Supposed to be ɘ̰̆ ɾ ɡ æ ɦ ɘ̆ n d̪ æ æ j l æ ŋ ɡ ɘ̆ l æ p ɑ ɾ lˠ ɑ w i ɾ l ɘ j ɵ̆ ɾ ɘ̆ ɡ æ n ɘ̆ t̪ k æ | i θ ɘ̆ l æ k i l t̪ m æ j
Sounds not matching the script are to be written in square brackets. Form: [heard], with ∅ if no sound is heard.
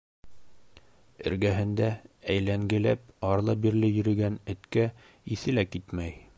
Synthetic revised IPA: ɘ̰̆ ɾ ɡ æ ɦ ɘ̆ n d̪ æ æ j l æ ŋ ɡ ɘ̆ l æ p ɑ ɾ lˠ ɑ [b] i ɾ l ɘ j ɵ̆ ɾ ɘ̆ ɡ æ n ɘ̆ t̪ k æ | i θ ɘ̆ l æ k i [∅] t̪ m æ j